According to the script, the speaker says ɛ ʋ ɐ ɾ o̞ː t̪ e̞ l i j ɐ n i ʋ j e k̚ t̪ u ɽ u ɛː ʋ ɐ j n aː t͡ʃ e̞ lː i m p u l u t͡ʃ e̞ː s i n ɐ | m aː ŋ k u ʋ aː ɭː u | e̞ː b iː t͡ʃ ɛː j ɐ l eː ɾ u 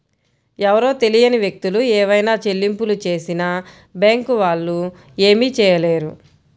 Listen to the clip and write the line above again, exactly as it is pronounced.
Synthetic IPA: ɛ ʋ ɐ ɾ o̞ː t̪ e̞ l i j ɐ n i ʋ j e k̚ t̪ u l u ɛː ʋ ɐ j n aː t͡ʃ e̞ lː i m p u l u t͡ʃ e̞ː s i n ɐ | b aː ŋ k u ʋ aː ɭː u | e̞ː m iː t͡ʃ ɛː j ɐ l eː ɾ u